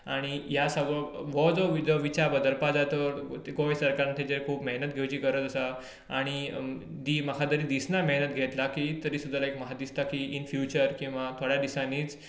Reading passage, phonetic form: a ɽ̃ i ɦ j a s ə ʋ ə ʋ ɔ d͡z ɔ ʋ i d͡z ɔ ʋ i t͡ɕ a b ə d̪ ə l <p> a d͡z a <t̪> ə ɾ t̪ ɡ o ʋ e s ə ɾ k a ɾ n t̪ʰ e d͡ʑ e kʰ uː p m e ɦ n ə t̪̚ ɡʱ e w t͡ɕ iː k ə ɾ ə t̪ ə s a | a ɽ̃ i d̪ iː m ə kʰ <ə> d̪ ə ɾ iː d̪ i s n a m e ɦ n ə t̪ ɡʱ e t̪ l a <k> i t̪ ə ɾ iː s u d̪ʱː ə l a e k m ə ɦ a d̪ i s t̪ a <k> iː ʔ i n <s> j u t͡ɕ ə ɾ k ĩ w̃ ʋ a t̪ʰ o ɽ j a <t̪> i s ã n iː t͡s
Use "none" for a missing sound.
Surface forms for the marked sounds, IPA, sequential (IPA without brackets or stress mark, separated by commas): p, t̪, a, k, k, f, d̪